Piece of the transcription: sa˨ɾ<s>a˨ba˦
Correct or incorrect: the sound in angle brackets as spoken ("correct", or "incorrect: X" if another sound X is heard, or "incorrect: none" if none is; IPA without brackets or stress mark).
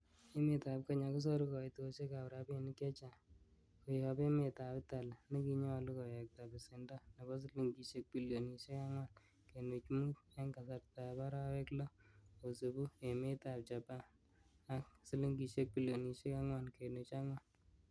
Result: incorrect: t